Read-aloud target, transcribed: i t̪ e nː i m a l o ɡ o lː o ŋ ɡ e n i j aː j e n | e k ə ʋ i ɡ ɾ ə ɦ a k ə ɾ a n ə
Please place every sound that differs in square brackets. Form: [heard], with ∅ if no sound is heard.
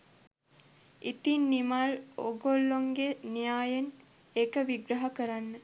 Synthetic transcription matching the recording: i t̪ [i] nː i m a l o ɡ o lː o ŋ ɡ e n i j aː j e n | e k ə ʋ i ɡ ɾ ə ɦ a k ə ɾ a [nː] ə